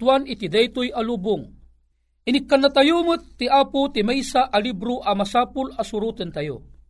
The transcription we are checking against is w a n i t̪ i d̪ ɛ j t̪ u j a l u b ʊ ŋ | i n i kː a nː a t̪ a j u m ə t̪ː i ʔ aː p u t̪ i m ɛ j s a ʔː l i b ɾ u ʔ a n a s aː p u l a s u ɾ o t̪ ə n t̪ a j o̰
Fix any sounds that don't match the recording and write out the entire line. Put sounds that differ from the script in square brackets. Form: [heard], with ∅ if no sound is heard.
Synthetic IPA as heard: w a n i t̪ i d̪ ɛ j t̪ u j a l u b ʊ ŋ | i n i kː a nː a t̪ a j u m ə t̪ː i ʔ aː p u t̪ i m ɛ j s a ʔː l i b ɾ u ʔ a [m] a s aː p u l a s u ɾ [u] t̪ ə n t̪ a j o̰